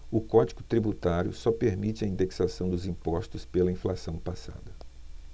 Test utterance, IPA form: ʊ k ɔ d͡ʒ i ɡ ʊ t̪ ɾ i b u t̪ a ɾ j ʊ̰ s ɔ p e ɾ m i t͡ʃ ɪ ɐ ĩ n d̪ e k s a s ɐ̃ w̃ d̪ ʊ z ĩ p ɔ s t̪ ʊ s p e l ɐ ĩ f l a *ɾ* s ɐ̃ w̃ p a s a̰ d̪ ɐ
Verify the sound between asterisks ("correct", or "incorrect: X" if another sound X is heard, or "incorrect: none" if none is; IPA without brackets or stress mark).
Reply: incorrect: none